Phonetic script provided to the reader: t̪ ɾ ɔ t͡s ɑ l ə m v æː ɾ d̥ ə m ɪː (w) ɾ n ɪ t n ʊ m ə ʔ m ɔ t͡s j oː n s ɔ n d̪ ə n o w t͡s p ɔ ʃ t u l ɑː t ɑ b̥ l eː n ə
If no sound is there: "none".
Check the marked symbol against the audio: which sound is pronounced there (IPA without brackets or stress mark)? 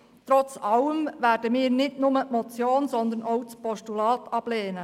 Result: none